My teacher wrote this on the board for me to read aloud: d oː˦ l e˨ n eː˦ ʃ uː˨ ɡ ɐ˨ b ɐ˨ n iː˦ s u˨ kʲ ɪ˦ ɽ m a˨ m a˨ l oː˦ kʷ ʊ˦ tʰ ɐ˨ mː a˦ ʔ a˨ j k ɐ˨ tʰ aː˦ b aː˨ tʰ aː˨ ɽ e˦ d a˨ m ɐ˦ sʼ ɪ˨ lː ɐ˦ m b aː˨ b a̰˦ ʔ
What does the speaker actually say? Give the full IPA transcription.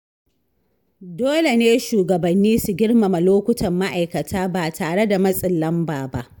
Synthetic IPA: d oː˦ l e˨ n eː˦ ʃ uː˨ ɡ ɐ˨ b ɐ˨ nː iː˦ s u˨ ɡʲ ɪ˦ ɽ m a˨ m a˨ l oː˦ kʷ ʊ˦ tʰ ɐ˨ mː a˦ ʔ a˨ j k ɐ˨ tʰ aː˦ b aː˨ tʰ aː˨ ɽ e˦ d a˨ m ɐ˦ sʼ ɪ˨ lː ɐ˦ m b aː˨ b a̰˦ ʔ